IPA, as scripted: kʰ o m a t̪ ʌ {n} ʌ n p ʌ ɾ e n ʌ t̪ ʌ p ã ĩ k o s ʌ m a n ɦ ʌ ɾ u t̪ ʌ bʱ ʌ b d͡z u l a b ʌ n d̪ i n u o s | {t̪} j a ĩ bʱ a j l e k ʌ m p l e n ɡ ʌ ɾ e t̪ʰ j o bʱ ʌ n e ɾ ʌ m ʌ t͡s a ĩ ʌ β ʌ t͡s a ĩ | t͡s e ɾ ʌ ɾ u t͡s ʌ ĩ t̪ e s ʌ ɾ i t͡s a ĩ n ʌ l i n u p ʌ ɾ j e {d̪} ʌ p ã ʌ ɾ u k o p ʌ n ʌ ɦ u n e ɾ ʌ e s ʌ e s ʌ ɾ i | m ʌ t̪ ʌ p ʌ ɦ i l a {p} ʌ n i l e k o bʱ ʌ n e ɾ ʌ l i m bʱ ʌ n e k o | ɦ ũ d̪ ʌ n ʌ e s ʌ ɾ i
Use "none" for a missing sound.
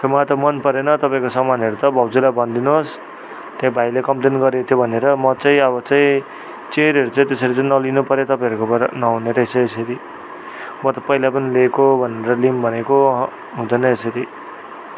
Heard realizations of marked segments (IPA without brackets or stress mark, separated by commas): m, t̪, t̪, p